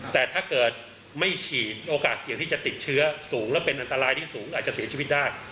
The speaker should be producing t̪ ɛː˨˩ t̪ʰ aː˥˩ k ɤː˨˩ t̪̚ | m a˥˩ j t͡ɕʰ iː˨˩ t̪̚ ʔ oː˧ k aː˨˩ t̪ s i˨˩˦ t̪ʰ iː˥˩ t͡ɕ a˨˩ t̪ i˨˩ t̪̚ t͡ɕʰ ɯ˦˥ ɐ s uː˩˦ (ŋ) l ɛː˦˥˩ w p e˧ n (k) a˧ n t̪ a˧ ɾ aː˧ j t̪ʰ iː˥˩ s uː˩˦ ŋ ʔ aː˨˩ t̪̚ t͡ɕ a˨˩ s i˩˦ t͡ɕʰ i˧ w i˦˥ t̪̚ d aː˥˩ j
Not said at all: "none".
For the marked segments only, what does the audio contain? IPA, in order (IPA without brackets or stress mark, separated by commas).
ŋ, ʔ